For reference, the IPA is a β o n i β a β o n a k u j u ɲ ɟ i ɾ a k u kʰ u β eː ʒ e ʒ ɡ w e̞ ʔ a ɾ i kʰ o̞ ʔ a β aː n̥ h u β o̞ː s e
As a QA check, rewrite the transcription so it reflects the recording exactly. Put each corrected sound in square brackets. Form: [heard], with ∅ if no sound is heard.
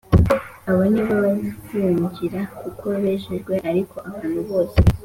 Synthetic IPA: a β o n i β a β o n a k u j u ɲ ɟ i ɾ a k u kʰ [o] β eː ʒ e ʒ ɡ w e̞ ʔ a ɾ i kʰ o̞ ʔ a β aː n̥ h u β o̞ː s e